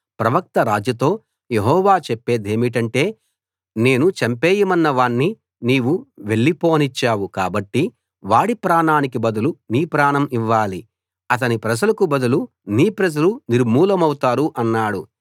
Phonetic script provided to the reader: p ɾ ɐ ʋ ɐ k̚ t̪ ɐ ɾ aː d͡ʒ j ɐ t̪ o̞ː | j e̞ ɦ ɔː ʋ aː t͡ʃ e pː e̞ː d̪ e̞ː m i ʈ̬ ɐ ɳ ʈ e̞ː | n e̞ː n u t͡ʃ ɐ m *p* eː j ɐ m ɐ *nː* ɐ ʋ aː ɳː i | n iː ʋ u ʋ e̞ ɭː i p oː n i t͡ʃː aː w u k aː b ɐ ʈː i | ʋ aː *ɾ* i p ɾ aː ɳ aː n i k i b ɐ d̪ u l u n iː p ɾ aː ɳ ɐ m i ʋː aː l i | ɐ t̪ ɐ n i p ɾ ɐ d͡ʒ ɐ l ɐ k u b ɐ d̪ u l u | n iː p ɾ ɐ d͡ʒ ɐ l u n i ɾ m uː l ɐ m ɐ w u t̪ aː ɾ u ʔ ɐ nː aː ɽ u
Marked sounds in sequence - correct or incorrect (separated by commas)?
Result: correct, correct, incorrect